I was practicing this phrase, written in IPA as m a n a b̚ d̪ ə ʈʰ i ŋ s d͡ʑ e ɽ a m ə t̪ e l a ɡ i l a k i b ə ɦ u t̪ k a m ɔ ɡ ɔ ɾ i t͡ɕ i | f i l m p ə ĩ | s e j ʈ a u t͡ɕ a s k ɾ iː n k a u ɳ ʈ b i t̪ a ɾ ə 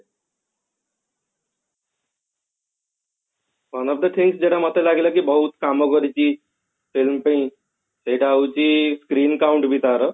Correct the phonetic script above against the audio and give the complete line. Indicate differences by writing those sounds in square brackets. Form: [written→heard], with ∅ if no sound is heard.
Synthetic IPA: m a n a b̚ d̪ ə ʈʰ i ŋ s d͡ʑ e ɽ a m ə t̪ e l a ɡ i l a k i b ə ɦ u t̪ k a m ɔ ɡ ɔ ɾ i t͡ɕ i | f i l m p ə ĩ | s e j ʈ a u t͡ɕ [a→i] s k ɾ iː n k a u ɳ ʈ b i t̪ a ɾ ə